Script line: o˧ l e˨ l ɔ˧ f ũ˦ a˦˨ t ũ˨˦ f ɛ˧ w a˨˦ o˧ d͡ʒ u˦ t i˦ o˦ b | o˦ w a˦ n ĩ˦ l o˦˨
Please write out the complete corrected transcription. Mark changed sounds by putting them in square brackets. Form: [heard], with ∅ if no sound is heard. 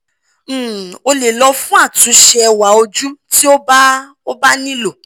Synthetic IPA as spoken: o˧ l e˨ l ɔ˧ f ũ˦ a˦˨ t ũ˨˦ [ʃ] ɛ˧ w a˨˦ o˧ d͡ʒ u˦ t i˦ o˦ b | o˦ [b] a˦ n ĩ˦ l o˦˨